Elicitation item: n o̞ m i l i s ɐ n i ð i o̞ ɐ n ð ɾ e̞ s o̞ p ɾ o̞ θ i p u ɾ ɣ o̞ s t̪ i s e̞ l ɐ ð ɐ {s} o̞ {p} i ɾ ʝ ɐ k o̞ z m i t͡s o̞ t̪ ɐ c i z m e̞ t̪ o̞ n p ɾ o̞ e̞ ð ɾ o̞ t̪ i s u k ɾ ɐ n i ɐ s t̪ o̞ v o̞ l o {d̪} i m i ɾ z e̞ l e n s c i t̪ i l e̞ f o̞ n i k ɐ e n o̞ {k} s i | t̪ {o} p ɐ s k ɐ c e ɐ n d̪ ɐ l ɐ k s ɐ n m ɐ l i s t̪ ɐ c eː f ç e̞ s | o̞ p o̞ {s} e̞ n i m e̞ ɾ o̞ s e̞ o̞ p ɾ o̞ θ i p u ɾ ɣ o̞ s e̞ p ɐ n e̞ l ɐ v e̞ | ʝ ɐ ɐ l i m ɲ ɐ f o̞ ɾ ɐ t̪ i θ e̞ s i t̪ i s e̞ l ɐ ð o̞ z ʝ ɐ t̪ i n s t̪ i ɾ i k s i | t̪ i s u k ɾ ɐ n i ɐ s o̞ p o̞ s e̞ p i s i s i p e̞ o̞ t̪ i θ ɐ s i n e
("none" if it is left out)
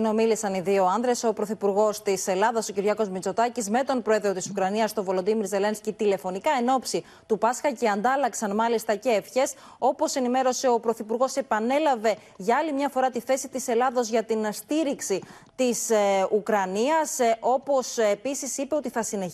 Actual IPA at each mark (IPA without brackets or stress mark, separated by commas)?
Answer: s, c, d̪, p, u, s